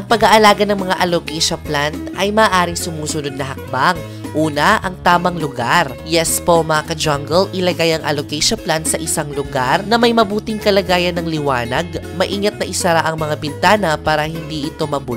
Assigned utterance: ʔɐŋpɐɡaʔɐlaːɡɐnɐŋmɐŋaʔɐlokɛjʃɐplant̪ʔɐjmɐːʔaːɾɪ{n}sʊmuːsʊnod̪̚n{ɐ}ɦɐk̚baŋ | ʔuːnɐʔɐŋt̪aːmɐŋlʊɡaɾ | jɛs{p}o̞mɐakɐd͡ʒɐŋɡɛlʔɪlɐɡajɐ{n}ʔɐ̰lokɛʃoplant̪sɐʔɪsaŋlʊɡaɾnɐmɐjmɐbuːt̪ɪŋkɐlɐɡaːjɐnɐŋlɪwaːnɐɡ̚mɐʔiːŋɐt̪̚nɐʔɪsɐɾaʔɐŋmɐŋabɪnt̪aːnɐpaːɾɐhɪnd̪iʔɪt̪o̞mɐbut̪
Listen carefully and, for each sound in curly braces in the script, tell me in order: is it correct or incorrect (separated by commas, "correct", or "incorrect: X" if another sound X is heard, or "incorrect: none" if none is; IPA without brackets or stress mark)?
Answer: incorrect: ŋ, correct, correct, incorrect: ŋ